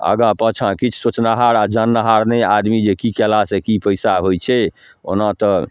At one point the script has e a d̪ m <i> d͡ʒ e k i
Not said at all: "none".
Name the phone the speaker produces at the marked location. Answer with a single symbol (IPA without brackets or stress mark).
i